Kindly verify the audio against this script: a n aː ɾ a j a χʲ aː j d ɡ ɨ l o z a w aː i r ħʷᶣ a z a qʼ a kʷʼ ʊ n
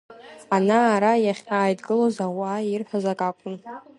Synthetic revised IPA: a n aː ɾ a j a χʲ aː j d ɡ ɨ l o z a w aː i r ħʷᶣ a z a kʼ a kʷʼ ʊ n